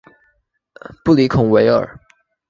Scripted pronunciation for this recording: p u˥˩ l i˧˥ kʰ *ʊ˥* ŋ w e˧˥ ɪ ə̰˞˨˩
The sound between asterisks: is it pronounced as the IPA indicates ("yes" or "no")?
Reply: no